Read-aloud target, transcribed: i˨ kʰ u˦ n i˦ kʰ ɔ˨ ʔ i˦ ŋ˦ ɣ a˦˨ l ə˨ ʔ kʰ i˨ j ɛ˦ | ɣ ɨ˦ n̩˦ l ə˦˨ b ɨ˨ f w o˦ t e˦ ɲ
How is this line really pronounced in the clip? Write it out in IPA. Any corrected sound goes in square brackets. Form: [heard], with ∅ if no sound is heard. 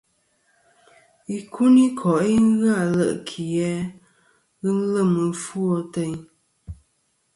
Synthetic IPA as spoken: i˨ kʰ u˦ n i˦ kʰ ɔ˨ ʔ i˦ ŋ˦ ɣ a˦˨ l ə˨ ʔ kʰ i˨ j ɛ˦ | ɣ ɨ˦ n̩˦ l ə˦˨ [m] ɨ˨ f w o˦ t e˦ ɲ